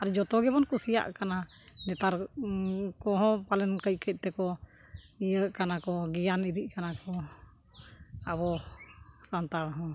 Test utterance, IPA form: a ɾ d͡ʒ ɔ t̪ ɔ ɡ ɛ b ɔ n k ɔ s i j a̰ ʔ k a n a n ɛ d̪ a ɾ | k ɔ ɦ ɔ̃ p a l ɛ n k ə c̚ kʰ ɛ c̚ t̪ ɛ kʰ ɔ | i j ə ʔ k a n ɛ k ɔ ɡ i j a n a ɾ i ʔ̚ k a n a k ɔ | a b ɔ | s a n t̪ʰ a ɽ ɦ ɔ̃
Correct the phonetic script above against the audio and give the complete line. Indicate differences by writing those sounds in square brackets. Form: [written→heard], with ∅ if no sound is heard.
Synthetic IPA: a ɾ d͡ʒ ɔ t̪ ɔ ɡ ɛ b ɔ n k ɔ s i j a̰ ʔ k a n a n ɛ [d̪→t̪] a ɾ | k ɔ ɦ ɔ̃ p a l ɛ n k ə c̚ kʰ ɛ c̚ t̪ ɛ [kʰ→k] ɔ | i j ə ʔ k a n [ɛ→a] k ɔ ɡ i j a n [a→i] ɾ i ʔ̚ k a n a k ɔ | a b ɔ | s a n [t̪ʰ→t̪] a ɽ ɦ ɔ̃